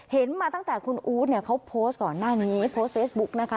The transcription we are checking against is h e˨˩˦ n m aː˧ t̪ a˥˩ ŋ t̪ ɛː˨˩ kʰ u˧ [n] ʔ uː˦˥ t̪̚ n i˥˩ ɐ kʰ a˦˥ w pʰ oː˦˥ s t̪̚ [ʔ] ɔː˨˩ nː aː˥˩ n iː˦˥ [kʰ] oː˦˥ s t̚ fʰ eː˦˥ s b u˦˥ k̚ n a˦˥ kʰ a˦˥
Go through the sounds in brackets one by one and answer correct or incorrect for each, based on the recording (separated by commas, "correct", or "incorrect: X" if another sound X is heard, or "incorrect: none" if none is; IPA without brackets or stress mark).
correct, incorrect: k, incorrect: pʰ